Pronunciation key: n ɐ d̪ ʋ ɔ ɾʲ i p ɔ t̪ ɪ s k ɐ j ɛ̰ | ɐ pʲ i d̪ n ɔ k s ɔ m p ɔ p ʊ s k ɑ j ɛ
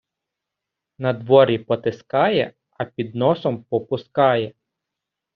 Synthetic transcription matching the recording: n ɐ d̪ ʋ ɔ ɾʲ i p ɔ t̪ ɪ s k ɑ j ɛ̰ | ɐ pʲ i d̪ n ɔ s ɔ m p ɔ p ʊ s k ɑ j ɛ